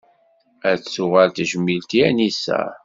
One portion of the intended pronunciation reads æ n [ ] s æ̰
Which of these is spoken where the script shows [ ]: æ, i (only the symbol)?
i